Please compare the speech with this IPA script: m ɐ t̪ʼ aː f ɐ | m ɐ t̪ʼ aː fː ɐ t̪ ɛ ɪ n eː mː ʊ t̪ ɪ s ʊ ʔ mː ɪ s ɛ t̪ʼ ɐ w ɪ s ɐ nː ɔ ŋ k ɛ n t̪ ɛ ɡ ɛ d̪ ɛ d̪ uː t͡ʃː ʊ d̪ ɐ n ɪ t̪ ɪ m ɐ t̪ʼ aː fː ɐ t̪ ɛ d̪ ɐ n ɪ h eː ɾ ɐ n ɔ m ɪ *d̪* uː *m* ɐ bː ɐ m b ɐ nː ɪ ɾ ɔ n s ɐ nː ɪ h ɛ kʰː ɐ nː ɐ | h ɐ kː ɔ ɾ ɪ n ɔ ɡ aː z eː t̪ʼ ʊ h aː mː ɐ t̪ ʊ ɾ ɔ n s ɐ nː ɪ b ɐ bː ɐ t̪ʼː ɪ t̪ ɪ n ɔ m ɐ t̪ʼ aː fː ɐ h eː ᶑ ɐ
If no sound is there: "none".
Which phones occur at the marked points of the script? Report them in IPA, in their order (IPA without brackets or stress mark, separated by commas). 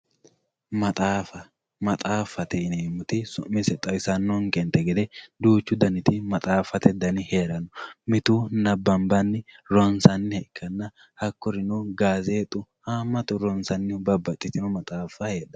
t̪, n